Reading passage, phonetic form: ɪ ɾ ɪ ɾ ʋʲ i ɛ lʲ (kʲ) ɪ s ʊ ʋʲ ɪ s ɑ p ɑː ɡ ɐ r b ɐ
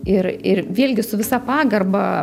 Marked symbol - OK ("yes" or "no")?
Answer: no